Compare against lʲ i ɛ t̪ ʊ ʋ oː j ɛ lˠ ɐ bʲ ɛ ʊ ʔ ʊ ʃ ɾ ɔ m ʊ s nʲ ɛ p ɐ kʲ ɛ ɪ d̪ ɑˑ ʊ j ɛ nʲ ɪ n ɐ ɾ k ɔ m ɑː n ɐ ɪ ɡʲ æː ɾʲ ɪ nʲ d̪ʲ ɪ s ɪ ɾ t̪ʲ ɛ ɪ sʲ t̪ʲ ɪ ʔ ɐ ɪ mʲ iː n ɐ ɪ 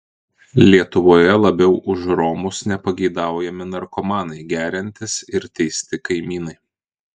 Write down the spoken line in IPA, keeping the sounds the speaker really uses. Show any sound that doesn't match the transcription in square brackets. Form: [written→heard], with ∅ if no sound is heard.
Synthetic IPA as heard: lʲ i ɛ t̪ ʊ ʋ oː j ɛ lˠ ɐ bʲ ɛ ʊ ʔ ʊ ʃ ɾ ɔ m ʊ s nʲ ɛ p ɐ [kʲ→ɡʲ] ɛ ɪ d̪ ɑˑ ʊ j ɛ [nʲ→mʲ] ɪ n ɐ ɾ k ɔ m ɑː n ɐ ɪ ɡʲ æː ɾʲ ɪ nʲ [d̪ʲ→t̪ʲ] ɪ s ɪ ɾ t̪ʲ ɛ ɪ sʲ t̪ʲ ɪ [ʔ→k] ɐ ɪ mʲ iː n ɐ ɪ